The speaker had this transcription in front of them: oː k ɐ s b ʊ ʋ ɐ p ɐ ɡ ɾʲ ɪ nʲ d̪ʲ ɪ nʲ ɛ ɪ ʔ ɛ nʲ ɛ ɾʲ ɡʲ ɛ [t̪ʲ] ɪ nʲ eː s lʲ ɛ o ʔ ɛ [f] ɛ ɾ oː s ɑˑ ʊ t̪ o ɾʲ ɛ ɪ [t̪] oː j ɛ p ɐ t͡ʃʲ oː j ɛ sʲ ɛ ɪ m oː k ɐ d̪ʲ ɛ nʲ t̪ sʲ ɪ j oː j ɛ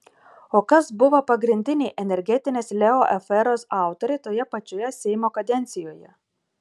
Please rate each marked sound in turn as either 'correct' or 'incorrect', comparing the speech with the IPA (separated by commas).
correct, correct, correct